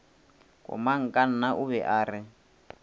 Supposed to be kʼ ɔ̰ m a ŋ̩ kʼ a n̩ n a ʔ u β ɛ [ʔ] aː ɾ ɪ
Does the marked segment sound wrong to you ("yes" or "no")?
no